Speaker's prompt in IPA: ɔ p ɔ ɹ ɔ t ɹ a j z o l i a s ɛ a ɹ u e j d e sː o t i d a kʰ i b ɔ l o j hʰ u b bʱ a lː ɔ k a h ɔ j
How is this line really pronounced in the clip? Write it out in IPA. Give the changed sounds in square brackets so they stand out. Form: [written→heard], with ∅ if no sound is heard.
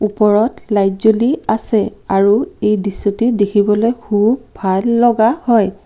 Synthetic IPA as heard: [ɔ→u] p ɔ ɹ ɔ t [ɹ→l] a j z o l i a s ɛ a ɹ u e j d [e→i] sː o t i d [a→e] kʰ i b ɔ l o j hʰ u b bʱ a lː ɔ [k→ɡ] a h ɔ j